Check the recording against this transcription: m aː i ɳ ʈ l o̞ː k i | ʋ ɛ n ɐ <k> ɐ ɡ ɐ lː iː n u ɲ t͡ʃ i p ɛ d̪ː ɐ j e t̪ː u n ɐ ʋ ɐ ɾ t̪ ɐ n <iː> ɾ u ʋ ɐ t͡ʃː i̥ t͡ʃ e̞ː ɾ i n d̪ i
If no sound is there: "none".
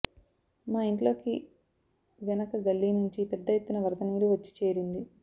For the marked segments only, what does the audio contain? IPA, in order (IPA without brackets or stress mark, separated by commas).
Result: k, iː